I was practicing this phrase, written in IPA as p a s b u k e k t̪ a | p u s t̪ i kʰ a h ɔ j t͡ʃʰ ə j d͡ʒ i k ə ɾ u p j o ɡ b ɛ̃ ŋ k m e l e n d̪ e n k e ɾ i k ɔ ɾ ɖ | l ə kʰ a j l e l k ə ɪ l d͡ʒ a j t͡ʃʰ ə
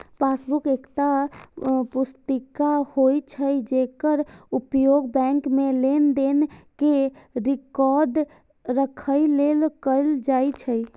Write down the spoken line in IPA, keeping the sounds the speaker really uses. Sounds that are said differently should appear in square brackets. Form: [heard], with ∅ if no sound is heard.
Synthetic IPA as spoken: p a s b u k e k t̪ a | p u s t̪ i [k] a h [o] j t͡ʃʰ ə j d͡ʒ [e] k ə ɾ u p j o ɡ b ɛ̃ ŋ k m e l e n d̪ e n k e ɾ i k ɔ ɾ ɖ | [ɾ] ə kʰ [ə] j l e l k ə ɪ l d͡ʒ a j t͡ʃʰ ə